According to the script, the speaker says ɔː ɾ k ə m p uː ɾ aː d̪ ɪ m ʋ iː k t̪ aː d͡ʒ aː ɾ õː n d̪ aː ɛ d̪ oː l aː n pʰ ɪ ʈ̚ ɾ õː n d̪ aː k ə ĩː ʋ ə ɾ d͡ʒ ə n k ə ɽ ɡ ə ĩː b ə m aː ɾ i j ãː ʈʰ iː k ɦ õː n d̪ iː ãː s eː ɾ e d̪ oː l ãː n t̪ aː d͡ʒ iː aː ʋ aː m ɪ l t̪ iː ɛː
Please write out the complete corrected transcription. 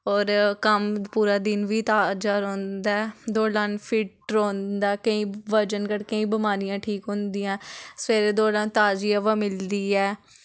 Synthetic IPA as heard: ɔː ɾ k ə m p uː ɾ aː d̪ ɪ n ʋ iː t̪ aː d͡ʒ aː ɾ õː n d̪ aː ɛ d̪ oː l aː n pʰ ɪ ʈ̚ ɾ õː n d̪ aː k ə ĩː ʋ ə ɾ d͡ʒ ə n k ə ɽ k ə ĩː b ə m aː ɾ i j ãː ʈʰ iː k ɦ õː n d̪ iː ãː s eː ɾ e d̪ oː l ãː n t̪ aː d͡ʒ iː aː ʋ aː m ɪ l d̪ iː ɛː

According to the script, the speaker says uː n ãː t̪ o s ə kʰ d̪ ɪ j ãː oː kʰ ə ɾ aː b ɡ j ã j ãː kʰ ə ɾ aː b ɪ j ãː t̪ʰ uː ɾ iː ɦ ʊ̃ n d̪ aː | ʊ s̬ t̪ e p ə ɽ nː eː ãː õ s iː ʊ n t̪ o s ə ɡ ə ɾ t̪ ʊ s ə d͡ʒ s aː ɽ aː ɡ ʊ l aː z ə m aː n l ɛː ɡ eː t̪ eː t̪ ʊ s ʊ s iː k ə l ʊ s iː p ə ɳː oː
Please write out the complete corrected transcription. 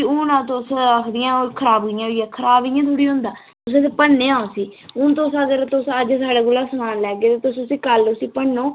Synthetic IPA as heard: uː n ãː t̪ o s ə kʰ d̪ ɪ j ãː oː kʰ ə ɾ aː b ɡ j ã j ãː kʰ ə ɾ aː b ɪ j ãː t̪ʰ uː ɽ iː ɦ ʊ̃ n d̪ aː | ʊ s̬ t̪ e p ə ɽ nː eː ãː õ s iː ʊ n t̪ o s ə ɡ ə ɾ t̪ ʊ s ə d͡ʒ s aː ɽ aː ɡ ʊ l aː s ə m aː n l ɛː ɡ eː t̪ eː t̪ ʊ s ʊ s iː k ə l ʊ s iː p ə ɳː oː

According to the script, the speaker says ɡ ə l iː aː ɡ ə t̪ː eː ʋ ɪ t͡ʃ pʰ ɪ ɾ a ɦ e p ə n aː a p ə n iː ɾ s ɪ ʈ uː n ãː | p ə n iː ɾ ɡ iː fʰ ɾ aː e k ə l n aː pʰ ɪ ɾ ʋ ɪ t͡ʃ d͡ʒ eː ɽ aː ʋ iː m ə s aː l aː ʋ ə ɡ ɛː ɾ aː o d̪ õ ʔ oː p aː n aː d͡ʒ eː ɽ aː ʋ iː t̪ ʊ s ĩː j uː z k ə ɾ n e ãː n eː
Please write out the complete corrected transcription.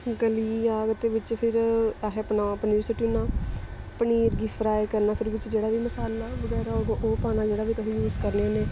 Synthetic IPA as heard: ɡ ə l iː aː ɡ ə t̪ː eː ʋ ɪ t͡ʃ pʰ ɪ ɾ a ɦ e p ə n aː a p ə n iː ɾ s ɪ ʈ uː n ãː | p ə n iː ɾ ɡ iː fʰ ɾ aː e k ə ɾ n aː pʰ ɪ ɾ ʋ ɪ t͡ʃ d͡ʒ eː ɽ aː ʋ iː m ə s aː l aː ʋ ə ɡ ɛː ɾ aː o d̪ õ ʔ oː p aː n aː d͡ʒ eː ɽ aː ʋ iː t̪ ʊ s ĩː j uː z k ə ɾ n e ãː n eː

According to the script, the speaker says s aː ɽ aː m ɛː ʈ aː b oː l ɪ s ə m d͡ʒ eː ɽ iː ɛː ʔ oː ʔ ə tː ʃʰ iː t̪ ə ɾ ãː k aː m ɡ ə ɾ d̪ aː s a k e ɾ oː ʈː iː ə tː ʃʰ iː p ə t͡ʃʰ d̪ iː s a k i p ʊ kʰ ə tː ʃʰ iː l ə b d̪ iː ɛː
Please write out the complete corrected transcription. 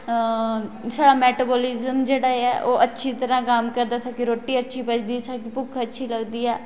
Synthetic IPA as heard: s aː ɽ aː m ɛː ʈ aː b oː l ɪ z ə m d͡ʒ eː ɽ aː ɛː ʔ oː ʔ ə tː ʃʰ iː t̪ ə ɾ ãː k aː m k ə ɾ d̪ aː s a k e ɾ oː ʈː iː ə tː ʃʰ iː p ə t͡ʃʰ d̪ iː s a k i p ʊ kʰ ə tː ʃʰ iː l ə ɡ d̪ iː ɛː

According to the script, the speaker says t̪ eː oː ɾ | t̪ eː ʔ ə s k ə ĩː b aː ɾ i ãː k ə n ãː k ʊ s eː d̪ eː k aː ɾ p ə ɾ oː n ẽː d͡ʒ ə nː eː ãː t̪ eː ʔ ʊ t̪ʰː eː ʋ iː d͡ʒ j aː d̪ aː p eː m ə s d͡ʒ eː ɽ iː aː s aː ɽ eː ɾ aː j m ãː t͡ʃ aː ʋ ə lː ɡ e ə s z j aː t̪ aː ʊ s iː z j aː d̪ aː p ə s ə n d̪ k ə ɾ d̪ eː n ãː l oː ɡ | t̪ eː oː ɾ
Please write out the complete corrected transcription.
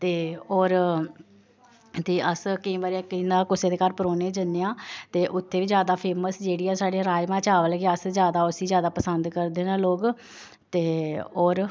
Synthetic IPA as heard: t̪ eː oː ɾ | t̪ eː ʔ ə s k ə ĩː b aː ɾ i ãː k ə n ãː k ʊ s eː d̪ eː k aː ɾ p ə ɾ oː n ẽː d͡ʒ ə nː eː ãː t̪ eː ʔ ʊ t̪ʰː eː ʋ iː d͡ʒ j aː d̪ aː pʰ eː m ə s d͡ʒ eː ɽ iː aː s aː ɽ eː ɾ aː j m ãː t͡ʃ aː ʋ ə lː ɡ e ə s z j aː d̪ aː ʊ s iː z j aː d̪ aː p ə s ə n d̪ k ə ɾ d̪ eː n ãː l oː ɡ | t̪ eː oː ɾ

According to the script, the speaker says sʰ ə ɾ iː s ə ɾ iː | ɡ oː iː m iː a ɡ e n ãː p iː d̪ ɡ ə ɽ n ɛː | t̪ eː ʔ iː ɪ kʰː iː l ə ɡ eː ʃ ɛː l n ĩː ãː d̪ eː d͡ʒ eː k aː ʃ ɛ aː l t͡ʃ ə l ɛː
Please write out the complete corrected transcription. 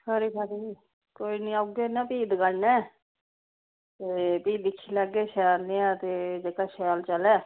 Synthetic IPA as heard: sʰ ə ɾ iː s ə ɾ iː | k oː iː n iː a ɡ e n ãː p iː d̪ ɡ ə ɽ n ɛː | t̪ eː p iː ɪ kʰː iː l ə ɡ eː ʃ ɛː l n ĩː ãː t̪ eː d͡ʒ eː k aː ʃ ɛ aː l t͡ʃ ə l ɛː

